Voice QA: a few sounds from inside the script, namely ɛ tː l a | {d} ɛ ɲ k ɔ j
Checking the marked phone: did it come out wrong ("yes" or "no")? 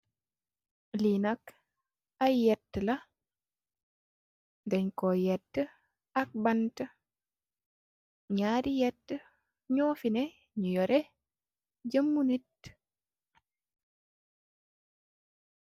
no